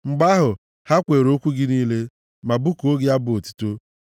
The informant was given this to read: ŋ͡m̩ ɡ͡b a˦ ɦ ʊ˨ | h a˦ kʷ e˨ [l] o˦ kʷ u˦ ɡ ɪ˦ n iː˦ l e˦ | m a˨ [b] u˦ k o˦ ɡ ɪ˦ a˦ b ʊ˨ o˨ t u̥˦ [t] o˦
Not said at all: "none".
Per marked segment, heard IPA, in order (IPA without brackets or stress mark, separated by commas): ɾ, b, t